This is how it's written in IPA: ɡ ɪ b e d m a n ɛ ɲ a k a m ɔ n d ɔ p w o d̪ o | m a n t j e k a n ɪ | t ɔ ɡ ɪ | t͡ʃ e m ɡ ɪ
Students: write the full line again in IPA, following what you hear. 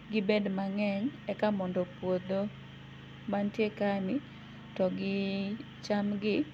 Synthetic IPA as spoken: ɡ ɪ b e d m a ŋ ɛ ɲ ɛ k a m ɔ n d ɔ p w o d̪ o | m a n t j e k a n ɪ | t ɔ ɡ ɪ | t͡ʃ a m ɡ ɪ